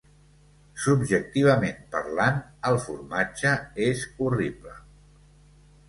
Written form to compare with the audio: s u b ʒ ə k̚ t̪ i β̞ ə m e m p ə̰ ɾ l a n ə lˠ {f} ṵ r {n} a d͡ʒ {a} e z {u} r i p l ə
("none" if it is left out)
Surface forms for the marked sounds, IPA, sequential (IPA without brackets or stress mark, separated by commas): f, m, ə, u